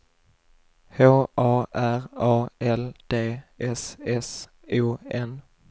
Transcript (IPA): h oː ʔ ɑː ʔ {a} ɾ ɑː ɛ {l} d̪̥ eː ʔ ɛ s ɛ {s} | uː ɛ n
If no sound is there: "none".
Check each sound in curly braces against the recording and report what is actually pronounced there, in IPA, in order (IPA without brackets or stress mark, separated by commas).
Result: æ, l, s